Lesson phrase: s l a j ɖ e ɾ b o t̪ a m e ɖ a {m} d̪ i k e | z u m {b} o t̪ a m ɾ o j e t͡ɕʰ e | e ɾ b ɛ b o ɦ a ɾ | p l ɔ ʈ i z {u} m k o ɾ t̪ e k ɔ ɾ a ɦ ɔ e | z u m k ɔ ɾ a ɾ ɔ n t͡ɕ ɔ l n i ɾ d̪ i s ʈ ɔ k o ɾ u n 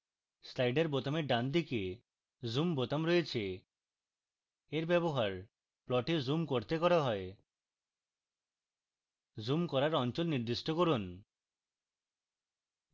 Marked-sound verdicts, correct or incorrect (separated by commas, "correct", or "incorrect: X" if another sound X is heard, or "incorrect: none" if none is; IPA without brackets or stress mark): incorrect: n, correct, correct